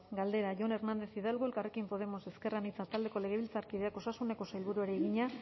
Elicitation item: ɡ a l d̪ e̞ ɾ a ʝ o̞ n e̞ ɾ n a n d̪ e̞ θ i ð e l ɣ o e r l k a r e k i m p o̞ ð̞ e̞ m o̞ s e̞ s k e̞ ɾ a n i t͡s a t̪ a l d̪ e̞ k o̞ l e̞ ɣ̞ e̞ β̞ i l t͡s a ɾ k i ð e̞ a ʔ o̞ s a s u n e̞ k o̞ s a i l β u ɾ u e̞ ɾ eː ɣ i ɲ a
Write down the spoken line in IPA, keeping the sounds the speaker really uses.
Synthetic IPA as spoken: ɡ a l d̪ e̞ ɾ a ʝ o̞ n e̞ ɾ n a n d̪ e̞ θ i ð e l ɣ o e l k a r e k i m p o̞ ð̞ e̞ m o̞ s e̞ s k e̞ r a n i t͡s a t̪ a l d̪ e̞ k o̞ l e̞ ɣ̞ e̞ β̞ i l t͡s a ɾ k i ð e̞ a k o̞ s a s u n e̞ k o̞ s a j l β u ɾ u e̞ ɾ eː ɣ i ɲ a